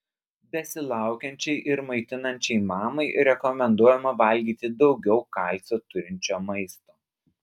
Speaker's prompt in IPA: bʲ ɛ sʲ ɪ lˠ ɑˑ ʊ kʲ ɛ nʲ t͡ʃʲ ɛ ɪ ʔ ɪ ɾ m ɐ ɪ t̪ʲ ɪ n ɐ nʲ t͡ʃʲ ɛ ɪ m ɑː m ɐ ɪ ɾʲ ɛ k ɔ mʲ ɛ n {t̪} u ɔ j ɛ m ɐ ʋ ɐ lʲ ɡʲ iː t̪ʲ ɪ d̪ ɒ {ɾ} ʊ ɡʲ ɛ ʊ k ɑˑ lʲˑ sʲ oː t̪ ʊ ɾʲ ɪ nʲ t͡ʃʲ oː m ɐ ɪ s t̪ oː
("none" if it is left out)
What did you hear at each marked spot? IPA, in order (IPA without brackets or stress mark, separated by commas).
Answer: d̪, none